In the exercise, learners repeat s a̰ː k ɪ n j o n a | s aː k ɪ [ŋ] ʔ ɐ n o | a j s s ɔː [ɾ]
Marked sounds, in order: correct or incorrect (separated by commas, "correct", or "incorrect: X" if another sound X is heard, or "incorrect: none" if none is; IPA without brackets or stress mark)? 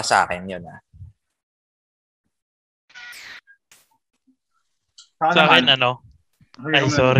incorrect: n, correct